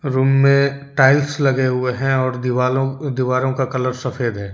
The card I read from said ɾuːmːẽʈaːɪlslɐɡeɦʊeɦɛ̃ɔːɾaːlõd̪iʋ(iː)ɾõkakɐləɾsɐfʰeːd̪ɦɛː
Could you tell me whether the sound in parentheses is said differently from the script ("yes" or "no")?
yes